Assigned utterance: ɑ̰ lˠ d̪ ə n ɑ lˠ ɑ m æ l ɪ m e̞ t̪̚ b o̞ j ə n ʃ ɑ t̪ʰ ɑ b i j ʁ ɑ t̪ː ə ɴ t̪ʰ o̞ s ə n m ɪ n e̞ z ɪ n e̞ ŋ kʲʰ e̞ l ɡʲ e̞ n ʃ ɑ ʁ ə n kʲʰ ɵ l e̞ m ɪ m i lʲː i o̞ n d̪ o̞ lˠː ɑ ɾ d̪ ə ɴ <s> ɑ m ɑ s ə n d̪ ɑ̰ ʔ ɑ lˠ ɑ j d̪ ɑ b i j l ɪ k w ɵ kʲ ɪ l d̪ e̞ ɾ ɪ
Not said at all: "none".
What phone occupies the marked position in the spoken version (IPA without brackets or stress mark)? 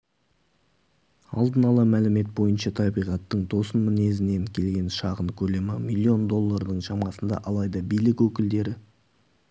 ʃ